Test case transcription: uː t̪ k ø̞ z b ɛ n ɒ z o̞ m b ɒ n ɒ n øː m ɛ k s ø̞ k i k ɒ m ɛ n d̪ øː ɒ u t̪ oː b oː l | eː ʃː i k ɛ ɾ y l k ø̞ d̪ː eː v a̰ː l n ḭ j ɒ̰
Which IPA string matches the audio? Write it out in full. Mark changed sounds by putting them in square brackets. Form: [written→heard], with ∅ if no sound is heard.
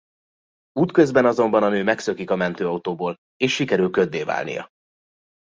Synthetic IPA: uː t̪ k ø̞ z b ɛ n ɒ z o̞ m b ɒ n ɒ n øː m ɛ k s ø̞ k i k ɒ m ɛ n [d̪→t̪] øː ɒ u t̪ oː b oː l | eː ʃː i k ɛ ɾ y l k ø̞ d̪ː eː v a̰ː l n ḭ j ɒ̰